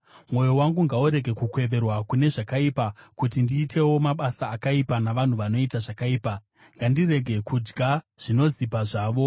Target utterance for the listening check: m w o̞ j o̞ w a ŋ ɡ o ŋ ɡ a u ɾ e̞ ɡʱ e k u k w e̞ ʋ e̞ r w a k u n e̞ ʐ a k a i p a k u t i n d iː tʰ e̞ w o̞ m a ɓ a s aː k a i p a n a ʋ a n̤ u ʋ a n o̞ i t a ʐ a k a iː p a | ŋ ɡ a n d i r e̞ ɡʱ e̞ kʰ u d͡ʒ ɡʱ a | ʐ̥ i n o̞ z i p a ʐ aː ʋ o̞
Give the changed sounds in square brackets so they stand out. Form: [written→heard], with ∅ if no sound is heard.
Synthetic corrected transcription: m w o̞ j o̞ w a ŋ ɡ [o→u] ŋ ɡ a u ɾ e̞ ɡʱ e k u k w e̞ ʋ e̞ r w a k u n e̞ ʐ a k a i p a k u t i n d iː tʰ e̞ w o̞ m a ɓ a s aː k a i p a n a ʋ a n̤ u ʋ a n o̞ i t a ʐ a k a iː p a | ŋ ɡ a n d i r e̞ ɡʱ e̞ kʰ u d͡ʒ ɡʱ a | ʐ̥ i n o̞ z i p a ʐ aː ʋ o̞